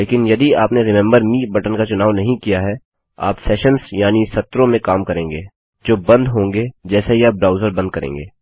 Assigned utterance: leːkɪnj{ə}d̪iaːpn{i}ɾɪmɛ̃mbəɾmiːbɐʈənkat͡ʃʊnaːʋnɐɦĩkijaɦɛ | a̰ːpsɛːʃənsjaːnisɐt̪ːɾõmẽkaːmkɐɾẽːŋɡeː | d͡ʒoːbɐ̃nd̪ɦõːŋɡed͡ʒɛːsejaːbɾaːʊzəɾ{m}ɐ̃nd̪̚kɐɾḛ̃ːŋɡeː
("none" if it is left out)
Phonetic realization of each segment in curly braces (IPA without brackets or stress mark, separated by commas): ɐ, e, b